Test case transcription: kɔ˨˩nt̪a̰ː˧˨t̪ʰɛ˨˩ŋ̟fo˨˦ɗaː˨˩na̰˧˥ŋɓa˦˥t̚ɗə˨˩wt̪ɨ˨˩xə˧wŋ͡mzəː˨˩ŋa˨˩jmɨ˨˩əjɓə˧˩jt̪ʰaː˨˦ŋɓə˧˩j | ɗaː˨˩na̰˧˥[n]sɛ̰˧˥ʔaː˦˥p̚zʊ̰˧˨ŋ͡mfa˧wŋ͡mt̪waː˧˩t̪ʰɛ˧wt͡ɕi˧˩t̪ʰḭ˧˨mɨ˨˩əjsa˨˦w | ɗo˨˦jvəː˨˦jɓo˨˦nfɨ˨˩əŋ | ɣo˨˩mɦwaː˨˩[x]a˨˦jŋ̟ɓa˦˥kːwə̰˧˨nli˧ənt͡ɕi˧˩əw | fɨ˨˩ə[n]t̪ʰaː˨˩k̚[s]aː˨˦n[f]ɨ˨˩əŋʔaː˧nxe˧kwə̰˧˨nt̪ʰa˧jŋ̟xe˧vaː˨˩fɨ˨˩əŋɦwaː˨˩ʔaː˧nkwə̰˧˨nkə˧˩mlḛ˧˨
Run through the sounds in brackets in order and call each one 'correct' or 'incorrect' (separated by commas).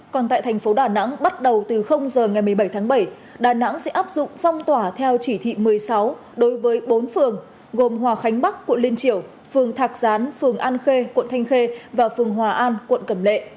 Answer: incorrect, correct, incorrect, incorrect, correct